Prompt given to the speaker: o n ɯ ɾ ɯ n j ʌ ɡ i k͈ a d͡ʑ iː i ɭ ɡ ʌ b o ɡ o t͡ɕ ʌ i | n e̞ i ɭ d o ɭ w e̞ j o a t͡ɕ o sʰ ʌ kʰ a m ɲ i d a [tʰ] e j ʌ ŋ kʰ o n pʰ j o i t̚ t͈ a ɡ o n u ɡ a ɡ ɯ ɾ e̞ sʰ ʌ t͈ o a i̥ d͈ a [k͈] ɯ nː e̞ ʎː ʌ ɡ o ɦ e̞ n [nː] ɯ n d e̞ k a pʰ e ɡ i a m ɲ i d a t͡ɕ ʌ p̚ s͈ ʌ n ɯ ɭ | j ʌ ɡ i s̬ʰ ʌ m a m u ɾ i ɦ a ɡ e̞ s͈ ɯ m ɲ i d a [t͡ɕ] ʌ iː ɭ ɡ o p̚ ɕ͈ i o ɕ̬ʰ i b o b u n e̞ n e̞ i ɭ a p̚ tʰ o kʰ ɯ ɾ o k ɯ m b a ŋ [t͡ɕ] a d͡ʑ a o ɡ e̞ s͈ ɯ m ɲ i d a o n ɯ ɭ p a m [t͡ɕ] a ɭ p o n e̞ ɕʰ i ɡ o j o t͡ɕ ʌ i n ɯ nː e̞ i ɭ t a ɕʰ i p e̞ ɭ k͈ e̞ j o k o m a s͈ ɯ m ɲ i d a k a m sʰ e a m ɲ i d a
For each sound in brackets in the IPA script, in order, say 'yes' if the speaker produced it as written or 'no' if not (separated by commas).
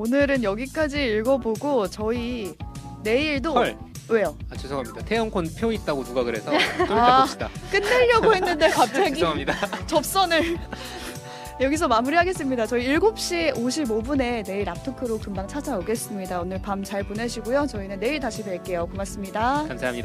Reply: yes, yes, yes, yes, no, yes